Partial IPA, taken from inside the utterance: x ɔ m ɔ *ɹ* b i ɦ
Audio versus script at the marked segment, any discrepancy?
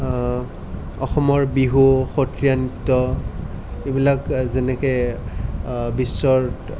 no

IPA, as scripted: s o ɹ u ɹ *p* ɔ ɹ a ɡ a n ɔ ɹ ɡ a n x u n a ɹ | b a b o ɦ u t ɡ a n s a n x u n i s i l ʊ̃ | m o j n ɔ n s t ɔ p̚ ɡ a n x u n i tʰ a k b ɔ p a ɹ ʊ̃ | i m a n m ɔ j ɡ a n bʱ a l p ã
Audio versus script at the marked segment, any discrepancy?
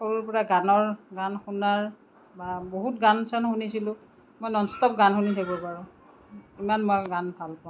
no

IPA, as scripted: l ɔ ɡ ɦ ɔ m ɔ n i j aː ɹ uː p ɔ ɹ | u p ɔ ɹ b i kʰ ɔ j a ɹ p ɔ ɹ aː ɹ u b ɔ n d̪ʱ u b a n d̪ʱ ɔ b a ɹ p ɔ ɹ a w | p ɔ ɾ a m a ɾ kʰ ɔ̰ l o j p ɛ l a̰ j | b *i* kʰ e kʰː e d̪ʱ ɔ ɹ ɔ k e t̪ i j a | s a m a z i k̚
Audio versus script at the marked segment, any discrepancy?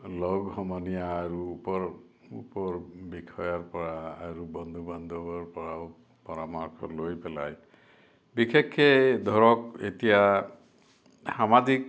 no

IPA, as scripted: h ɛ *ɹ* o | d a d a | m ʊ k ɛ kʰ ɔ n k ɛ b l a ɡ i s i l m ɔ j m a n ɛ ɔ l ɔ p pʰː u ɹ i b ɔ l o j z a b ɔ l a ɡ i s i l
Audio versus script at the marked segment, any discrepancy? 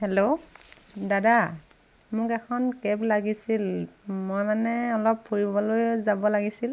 yes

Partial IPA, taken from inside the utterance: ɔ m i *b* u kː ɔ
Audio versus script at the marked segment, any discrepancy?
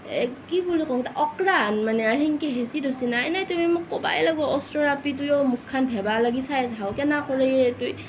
yes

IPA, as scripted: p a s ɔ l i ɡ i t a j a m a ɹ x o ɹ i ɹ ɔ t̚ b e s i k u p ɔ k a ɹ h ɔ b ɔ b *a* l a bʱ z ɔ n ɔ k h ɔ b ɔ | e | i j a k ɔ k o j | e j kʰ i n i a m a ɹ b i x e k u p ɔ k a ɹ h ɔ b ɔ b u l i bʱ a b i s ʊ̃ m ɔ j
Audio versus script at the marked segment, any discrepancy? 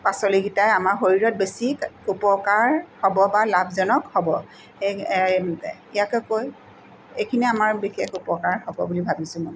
no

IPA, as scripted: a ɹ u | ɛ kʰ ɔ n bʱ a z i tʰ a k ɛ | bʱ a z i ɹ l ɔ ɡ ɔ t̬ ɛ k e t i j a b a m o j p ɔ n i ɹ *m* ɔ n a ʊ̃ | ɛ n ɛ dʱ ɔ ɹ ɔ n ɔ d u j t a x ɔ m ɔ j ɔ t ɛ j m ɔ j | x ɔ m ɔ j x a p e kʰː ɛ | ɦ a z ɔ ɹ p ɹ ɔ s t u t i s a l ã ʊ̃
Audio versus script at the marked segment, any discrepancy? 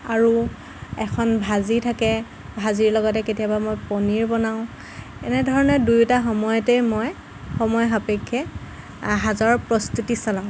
yes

